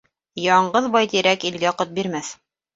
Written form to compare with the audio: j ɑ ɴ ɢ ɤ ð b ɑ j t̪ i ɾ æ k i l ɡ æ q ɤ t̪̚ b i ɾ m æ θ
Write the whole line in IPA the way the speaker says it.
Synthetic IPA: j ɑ ɴ ɢ ɤ ð b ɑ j t̪ i ɾ æ k i l ɡ æ q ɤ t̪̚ b i ɾ m æ θ